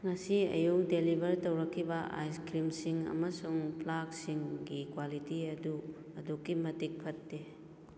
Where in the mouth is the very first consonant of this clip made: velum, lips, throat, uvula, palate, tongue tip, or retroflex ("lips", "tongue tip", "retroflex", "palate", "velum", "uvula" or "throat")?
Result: velum